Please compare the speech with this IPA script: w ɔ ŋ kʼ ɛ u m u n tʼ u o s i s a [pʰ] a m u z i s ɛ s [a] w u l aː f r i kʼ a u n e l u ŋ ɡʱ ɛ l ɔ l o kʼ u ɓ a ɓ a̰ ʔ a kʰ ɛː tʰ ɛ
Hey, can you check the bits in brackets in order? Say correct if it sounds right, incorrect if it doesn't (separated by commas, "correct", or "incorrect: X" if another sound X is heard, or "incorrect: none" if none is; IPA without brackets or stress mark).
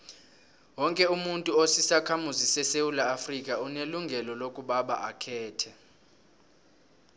incorrect: kʰ, incorrect: e